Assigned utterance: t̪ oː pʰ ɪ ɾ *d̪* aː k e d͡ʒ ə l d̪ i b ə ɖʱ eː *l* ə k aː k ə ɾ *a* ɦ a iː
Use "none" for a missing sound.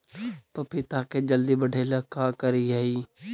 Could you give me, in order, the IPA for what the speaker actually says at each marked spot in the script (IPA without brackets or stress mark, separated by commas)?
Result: t̪, l, i